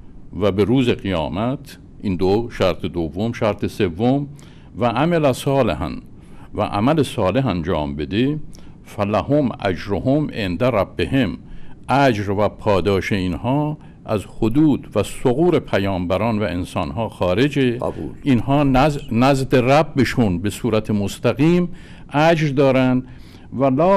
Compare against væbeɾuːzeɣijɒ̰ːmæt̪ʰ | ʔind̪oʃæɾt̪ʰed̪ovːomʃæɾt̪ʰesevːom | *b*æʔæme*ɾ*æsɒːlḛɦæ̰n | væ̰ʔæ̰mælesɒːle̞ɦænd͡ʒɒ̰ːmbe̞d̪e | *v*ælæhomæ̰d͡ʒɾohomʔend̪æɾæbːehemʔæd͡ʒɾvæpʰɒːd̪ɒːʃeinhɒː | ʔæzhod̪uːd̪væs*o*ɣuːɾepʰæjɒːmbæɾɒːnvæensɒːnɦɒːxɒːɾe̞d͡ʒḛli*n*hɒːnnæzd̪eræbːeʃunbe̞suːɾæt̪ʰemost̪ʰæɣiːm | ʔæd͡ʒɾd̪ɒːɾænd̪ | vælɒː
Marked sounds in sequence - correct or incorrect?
incorrect, incorrect, incorrect, correct, correct

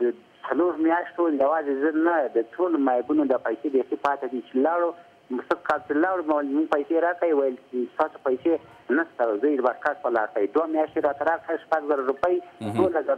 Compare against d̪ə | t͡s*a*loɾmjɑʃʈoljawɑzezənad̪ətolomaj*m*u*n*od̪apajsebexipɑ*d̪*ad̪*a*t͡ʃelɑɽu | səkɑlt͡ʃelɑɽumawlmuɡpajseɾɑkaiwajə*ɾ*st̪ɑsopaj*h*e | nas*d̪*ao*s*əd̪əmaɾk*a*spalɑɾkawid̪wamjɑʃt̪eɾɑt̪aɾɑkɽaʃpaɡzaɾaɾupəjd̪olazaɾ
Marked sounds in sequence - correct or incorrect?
correct, incorrect, correct, incorrect, incorrect, incorrect, incorrect, incorrect, incorrect, correct

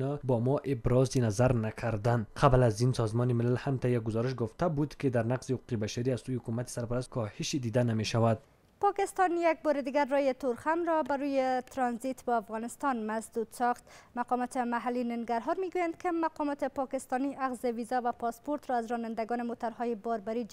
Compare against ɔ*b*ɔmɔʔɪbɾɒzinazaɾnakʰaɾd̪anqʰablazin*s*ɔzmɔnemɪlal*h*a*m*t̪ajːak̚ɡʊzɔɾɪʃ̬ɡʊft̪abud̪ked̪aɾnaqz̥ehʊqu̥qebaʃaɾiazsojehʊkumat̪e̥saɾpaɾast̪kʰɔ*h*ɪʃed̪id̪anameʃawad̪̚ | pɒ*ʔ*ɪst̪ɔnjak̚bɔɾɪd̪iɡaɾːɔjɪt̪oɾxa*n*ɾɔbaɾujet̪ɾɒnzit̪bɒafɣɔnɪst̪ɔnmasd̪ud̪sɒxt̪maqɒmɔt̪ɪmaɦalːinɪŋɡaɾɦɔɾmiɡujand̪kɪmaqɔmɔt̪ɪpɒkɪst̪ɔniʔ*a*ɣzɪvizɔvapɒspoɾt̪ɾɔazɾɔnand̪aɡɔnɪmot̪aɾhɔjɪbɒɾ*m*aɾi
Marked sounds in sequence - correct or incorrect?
correct, correct, correct, correct, correct, incorrect, incorrect, correct, incorrect

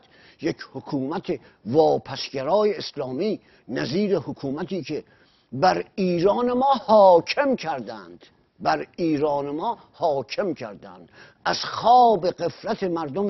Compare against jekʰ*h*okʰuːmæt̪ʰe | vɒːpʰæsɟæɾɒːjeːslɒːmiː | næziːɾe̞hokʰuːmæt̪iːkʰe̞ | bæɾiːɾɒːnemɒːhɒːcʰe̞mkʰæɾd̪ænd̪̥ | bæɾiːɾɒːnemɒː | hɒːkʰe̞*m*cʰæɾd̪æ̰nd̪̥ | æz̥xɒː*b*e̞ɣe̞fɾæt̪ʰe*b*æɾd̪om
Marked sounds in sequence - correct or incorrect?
correct, correct, correct, incorrect

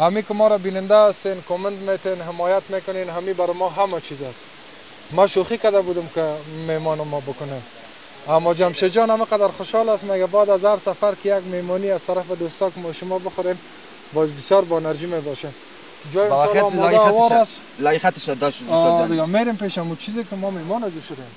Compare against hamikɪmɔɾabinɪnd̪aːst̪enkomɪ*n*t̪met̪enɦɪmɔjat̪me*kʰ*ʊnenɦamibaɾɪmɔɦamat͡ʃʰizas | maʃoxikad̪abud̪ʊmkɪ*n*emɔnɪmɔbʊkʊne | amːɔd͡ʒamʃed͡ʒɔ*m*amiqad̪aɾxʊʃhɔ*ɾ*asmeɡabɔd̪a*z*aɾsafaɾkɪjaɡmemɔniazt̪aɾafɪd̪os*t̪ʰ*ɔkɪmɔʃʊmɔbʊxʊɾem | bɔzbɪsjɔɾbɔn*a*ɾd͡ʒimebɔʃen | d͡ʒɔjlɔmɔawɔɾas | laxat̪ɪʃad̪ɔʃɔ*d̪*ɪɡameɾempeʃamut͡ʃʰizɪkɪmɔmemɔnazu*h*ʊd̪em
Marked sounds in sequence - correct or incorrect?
correct, incorrect, incorrect, incorrect, incorrect, correct, incorrect, correct, correct, incorrect

